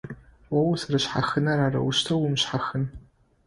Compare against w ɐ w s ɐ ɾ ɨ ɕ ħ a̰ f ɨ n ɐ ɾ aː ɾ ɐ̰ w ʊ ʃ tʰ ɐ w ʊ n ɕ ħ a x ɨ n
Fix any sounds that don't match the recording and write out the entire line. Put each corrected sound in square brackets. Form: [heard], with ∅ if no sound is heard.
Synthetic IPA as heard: w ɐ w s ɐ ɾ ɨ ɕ ħ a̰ [x] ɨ n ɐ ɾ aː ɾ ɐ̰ w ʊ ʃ tʰ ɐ w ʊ [m] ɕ ħ a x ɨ n